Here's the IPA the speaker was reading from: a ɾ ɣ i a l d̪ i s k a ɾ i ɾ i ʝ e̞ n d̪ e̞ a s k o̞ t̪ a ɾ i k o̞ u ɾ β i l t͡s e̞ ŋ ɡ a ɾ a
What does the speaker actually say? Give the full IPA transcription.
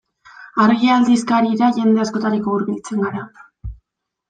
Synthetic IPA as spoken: a ɾ ɣ i a l d̪ i s k a ɾ i ɾ a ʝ e̞ n d̪ e̞ a s k o̞ t̪ a ɾ i k o̞ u ɾ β i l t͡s e̞ ŋ ɡ a ɾ a